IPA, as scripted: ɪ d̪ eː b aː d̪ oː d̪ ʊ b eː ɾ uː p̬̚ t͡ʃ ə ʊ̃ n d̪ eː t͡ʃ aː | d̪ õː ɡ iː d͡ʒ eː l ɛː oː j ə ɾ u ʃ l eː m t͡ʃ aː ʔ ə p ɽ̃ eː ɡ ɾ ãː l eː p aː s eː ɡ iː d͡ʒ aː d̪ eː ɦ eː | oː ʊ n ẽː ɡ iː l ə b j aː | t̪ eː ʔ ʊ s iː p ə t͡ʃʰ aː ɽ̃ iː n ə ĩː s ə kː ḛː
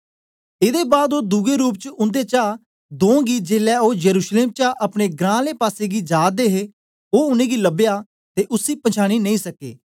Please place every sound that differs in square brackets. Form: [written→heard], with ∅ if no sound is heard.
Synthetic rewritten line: ɪ d̪ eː b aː d̪ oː d̪ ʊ [b→ɡ] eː ɾ uː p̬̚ t͡ʃ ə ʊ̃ n d̪ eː t͡ʃ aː | d̪ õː ɡ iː d͡ʒ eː l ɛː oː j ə ɾ [u→uː] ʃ l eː m t͡ʃ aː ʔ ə p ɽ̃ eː ɡ ɾ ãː l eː p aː s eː ɡ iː d͡ʒ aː d̪ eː ɦ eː | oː ʊ n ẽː ɡ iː l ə b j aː | t̪ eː ʔ ʊ s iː p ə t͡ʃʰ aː ɽ̃ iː n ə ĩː s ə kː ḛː